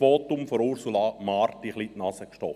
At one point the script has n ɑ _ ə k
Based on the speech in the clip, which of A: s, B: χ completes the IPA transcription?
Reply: A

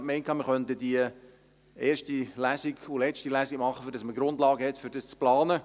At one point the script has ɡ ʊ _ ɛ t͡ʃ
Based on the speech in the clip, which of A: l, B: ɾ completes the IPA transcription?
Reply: A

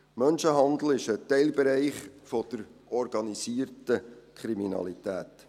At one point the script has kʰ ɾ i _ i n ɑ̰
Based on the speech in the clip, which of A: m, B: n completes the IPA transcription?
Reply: A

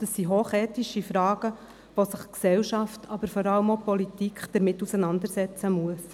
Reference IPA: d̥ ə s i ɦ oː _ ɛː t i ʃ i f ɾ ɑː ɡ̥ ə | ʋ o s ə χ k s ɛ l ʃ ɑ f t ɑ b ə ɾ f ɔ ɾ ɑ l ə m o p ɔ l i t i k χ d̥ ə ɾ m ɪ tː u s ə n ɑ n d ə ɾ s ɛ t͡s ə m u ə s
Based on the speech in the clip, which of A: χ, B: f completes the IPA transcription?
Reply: A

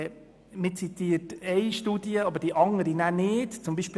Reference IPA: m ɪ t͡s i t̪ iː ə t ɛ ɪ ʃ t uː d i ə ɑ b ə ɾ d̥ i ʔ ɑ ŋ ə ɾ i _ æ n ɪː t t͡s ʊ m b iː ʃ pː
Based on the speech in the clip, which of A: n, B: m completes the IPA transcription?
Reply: A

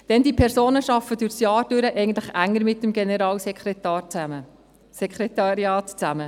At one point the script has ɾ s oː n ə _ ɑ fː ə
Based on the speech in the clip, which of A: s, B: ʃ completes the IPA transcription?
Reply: B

